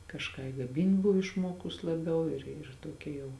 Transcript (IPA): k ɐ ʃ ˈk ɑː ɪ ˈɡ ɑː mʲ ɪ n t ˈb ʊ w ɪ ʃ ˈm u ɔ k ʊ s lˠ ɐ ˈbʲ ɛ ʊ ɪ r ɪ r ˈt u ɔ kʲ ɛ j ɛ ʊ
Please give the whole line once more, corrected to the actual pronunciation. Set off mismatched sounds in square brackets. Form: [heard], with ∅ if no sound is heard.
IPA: k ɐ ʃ ˈk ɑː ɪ ˈɡ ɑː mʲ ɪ n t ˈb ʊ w ɪ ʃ ˈm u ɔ k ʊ s lˠ ɐ ˈbʲ ɛ ʊ ɪ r ɪ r ˈt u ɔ kʲ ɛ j ɛ ʊ